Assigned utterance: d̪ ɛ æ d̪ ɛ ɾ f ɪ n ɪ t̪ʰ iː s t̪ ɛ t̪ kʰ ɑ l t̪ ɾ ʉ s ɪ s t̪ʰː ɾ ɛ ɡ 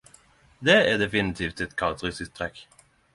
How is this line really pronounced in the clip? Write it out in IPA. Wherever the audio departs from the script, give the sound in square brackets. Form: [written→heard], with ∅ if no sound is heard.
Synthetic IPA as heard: d̪ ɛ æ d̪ ɛ [ɾ→∅] f ɪ n ɪ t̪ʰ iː [s→f] t̪ ɛ t̪ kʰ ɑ l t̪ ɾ ʉ s ɪ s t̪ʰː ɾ ɛ [ɡ→k]